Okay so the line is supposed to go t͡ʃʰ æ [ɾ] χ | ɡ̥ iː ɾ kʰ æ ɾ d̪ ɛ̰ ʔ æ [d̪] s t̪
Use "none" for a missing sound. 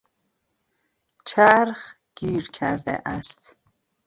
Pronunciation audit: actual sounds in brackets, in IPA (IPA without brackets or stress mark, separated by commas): ɾ, none